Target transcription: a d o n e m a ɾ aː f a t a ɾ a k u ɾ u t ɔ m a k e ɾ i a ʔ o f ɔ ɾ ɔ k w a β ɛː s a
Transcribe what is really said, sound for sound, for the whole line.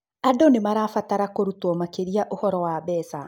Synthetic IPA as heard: a d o n e m a ɾ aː f a t a ɾ a k o ɾ u t ɔ m a k e ɾ i a ʔ o h ɔ ɾ ɔ w a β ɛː s a